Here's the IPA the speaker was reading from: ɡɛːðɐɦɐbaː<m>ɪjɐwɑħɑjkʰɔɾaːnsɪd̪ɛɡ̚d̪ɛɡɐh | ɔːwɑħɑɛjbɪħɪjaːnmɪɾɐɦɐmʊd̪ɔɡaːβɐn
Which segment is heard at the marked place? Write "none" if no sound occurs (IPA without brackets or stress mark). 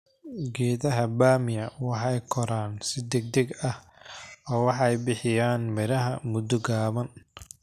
m